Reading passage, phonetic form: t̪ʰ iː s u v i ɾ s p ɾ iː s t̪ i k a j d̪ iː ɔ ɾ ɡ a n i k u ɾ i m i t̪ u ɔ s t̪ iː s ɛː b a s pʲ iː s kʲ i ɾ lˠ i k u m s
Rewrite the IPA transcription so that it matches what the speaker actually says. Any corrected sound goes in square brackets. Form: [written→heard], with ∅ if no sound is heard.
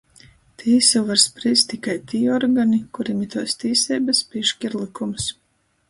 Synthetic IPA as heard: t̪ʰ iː s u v [i→a] ɾ s p ɾ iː s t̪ i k a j [d̪→t̪] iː ɔ ɾ ɡ a n i k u ɾ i m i t̪ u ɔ s t̪ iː s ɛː b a s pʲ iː [s→ʃ] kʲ i ɾ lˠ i k u m s